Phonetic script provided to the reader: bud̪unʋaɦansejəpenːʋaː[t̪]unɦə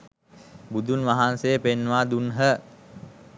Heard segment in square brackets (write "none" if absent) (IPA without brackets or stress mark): d̪